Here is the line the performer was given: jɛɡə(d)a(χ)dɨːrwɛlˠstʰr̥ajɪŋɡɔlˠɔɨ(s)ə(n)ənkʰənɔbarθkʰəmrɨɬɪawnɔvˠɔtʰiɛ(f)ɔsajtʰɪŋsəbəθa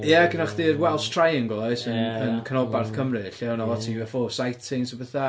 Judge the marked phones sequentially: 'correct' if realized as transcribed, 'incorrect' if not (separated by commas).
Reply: incorrect, correct, correct, correct, correct